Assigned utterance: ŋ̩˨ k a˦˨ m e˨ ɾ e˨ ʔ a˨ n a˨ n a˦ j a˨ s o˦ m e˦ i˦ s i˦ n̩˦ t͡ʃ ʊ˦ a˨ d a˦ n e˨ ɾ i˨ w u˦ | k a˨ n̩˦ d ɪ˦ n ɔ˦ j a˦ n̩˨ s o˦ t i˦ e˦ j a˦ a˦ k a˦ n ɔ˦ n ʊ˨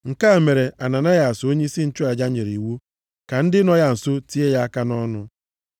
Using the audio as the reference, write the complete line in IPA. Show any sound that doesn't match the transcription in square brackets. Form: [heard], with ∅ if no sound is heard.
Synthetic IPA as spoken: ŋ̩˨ k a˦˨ m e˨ ɾ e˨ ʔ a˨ n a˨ n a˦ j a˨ s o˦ [ɲ] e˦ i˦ s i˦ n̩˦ t͡ʃ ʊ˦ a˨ [d͡ʒ] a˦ [ɲ] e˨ ɾ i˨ w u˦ | k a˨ n̩˦ d ɪ˦ n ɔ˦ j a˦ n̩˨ s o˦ t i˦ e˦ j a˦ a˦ k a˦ n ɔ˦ n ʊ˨